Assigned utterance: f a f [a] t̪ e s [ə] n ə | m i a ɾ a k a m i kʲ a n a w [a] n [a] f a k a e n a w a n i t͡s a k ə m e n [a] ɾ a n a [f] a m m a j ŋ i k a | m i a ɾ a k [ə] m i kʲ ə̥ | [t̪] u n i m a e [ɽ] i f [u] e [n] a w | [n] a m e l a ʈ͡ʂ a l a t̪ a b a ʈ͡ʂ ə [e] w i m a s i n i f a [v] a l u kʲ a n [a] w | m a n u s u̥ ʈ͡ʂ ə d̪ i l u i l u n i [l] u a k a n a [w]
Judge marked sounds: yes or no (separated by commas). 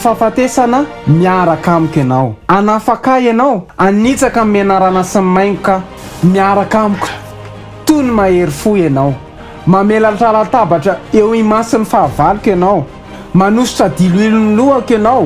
yes, no, yes, yes, yes, no, no, yes, no, yes, yes, no, yes, yes, yes, yes, yes